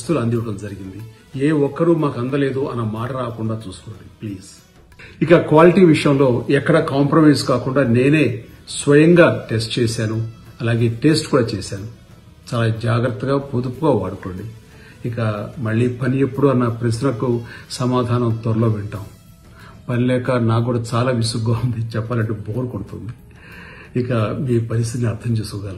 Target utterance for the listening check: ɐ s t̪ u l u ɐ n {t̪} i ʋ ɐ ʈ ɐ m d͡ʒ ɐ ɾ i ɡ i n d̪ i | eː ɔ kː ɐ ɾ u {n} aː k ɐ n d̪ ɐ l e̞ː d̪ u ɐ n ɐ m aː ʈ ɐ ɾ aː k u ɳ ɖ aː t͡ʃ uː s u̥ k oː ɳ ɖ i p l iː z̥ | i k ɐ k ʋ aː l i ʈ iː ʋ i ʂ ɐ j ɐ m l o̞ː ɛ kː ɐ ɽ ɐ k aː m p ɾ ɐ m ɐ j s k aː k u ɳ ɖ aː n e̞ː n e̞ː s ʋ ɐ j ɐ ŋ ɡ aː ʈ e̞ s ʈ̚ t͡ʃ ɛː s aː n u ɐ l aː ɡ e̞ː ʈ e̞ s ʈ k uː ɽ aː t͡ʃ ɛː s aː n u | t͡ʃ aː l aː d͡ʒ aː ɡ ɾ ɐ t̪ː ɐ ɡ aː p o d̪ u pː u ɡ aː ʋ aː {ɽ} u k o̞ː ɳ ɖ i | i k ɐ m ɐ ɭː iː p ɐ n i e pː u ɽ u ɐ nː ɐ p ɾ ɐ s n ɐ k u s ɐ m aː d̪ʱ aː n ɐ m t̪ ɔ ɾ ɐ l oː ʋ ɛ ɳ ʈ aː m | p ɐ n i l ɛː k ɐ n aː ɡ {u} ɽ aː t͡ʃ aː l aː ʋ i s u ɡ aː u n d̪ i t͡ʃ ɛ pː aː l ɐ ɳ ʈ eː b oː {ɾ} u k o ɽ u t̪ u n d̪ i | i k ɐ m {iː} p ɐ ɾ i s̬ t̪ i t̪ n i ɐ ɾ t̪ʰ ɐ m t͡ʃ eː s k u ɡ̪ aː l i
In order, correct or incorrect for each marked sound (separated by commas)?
incorrect, incorrect, correct, incorrect, correct, correct